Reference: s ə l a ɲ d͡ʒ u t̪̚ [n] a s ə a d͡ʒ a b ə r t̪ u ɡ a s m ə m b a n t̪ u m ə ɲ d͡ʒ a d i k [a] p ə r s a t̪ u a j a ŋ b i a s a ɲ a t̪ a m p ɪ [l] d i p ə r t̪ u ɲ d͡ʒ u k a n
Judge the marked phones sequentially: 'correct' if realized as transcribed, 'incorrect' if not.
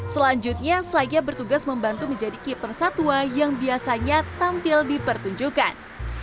incorrect: ɲ, incorrect: i, correct

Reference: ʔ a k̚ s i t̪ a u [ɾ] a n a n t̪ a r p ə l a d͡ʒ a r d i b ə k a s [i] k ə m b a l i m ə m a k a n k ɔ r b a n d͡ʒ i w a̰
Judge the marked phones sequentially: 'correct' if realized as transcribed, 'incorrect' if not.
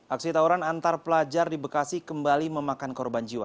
correct, correct

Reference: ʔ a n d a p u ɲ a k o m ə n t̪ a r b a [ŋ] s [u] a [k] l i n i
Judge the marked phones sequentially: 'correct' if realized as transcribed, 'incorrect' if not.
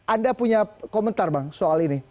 correct, incorrect: o, incorrect: none

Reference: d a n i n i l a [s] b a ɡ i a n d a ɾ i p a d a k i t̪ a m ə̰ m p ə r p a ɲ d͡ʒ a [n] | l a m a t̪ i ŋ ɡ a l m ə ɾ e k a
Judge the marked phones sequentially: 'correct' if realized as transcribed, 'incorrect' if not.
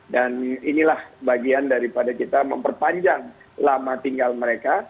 incorrect: h, incorrect: ŋ

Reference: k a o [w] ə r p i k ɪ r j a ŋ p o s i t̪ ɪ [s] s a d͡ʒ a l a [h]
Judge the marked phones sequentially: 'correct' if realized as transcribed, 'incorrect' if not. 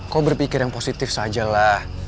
incorrect: b, incorrect: f, correct

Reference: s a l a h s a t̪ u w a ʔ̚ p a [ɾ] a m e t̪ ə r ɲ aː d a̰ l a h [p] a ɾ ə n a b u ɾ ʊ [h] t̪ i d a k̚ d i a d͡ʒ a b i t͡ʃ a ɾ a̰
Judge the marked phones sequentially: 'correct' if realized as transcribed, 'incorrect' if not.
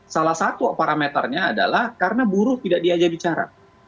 correct, incorrect: k, correct

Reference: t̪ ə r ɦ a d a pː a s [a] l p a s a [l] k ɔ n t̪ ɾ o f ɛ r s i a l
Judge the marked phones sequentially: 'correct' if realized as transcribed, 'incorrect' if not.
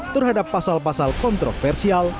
correct, correct

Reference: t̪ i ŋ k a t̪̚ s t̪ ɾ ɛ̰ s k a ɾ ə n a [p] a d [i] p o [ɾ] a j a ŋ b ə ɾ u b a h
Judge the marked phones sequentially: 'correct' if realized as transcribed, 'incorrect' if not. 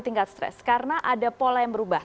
incorrect: ʔ, incorrect: a, incorrect: l

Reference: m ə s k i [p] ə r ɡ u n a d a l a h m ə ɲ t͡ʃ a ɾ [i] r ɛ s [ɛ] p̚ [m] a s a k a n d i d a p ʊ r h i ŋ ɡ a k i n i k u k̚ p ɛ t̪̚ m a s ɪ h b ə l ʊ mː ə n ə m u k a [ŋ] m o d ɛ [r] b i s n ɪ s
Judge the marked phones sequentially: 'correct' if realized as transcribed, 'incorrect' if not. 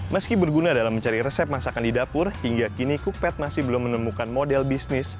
incorrect: b, correct, correct, correct, incorrect: n, incorrect: l

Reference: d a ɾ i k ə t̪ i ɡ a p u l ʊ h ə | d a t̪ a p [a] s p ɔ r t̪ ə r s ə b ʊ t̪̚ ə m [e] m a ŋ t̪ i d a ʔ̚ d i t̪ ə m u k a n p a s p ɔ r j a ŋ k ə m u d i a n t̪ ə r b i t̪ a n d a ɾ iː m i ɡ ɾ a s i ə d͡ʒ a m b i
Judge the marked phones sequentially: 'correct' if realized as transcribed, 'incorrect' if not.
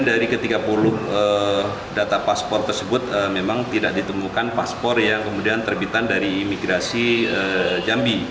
correct, correct

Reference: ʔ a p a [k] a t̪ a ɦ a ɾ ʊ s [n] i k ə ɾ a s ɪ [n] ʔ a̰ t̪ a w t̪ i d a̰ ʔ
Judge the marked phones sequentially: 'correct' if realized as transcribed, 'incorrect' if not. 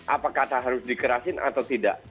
correct, incorrect: d, correct

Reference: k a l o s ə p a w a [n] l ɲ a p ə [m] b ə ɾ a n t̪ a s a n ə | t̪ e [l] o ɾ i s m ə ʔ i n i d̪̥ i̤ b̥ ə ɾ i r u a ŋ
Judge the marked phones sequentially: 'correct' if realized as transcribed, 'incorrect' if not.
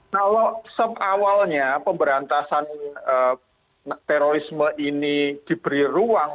incorrect: none, correct, incorrect: ɾ

